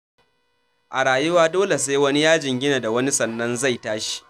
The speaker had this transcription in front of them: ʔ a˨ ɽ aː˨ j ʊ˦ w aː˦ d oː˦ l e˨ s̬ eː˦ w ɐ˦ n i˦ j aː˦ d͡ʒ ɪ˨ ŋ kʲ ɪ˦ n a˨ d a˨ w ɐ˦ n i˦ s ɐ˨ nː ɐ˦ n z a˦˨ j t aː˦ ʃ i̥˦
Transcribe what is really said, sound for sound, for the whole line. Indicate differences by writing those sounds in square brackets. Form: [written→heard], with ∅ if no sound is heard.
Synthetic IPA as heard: ʔ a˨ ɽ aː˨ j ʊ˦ w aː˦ d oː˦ l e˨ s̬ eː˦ w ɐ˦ n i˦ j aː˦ d͡ʒ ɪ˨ ŋ [kʲ→ɡʲ] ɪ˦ n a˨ d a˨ w ɐ˦ n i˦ s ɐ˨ nː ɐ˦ n z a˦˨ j t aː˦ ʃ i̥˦